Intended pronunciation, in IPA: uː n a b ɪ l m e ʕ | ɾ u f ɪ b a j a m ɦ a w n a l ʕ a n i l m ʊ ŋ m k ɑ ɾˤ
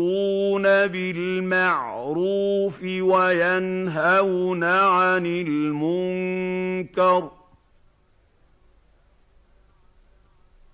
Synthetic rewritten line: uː n a b ɪ l m a ʕ | ɾ uː f ɪ w a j a n ɦ a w n a ʕ a n ɪ l m ʊ ŋ ŋ k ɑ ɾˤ

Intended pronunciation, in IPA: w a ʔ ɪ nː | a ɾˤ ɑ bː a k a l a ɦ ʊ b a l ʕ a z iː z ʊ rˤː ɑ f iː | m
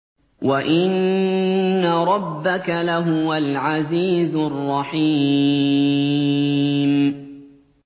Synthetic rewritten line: w a ʔ ɪ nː | a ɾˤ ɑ bː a k a l a ɦ ʊ w a l ʕ a z iː z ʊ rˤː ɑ ħ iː | m

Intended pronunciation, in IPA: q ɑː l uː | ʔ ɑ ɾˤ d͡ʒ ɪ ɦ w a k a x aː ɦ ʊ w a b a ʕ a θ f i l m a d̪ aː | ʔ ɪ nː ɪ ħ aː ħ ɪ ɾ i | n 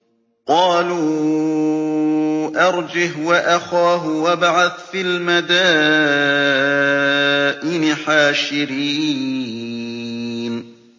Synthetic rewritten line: q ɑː l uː | ʔ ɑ ɾˤ d͡ʒ ɪ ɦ w a ʔ a x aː ɦ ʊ w a b a ʕ a θ f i l m a d̪ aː | ʔ ɪ n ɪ ħ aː ʃ ɪ ɾ iː | n

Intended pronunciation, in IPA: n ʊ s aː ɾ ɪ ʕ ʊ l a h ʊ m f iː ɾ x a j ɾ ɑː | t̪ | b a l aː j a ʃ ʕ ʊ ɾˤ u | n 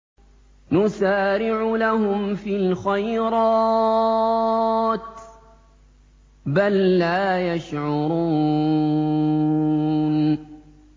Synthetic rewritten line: n ʊ s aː ɾ ɪ ʕ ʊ l a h ʊ m f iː l x a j ɾ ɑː | t̪ | b a lː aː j a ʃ ʕ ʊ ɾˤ uː | n

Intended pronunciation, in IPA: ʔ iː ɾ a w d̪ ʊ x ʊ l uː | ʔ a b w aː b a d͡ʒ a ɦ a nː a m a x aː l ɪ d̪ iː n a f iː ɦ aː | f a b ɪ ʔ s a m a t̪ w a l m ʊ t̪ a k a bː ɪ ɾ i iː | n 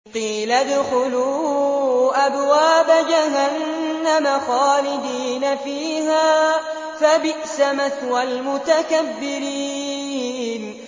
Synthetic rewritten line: q iː l a d̪ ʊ x ʊ l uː | ʔ a b w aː b a d͡ʒ a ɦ a nː a m a x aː l ɪ d̪ iː n a f iː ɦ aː | f a b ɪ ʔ s a m a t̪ w a l m ʊ t̪ a k a bː ɪ ɾ i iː | n

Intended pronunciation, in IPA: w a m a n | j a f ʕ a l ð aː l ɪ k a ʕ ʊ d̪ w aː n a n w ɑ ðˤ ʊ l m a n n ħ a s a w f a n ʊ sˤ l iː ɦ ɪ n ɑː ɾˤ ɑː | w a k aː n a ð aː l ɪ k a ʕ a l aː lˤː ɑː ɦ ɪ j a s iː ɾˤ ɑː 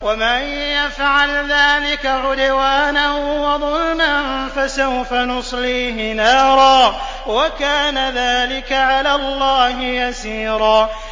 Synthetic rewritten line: w a m a n | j a f ʕ a l ð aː l ɪ k a ʕ ʊ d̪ w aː n a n w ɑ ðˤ ʊ l m a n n f a s a w f a n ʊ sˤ l iː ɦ ɪ n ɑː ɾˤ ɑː | w a k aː n a ð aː l ɪ k a ʕ a l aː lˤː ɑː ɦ ɪ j a s iː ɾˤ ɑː

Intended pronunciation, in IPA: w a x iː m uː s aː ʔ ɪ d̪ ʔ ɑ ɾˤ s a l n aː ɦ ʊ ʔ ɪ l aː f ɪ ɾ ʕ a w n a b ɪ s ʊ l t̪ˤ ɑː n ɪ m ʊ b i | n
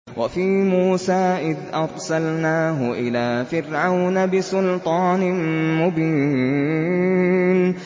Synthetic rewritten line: w a f iː m uː s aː ʔ ɪ d̪ ʔ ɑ ɾˤ s a l n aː ɦ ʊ ʔ ɪ l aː f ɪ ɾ ʕ a w n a b ɪ s ʊ l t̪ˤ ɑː n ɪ m ʊ b iː | n

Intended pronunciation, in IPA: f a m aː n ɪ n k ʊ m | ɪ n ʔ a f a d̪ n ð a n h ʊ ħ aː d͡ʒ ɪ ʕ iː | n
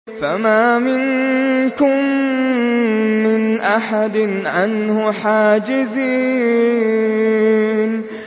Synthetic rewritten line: f a m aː m ɪ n k ʊ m | ɪ n ʔ a ħ a d̪ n ʕ a n h ʊ ħ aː d͡ʒ ɪ z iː | n

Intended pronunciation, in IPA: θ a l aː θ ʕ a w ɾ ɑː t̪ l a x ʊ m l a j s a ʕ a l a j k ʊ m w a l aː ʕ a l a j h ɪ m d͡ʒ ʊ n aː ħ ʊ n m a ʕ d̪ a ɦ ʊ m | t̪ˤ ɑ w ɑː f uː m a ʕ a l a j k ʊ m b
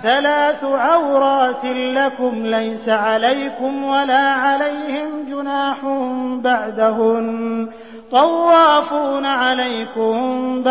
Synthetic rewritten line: θ a l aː θ ʕ a w ɾ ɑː t̪ l a k ʊ m l a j s a ʕ a l a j k ʊ m w a l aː ʕ a l a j h ɪ m d͡ʒ ʊ n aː ħ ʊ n b a ʕ d̪ a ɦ ʊ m | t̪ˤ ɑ wː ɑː f uː n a ʕ a l a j k ʊ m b

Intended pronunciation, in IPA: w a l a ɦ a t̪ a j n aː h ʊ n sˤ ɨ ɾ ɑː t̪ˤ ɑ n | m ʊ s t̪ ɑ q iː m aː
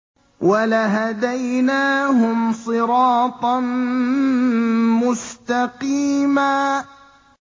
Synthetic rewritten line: w a l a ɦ a d̪ a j n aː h ʊ m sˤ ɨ ɾ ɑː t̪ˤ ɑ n | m ʊ s t̪ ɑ q iː m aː

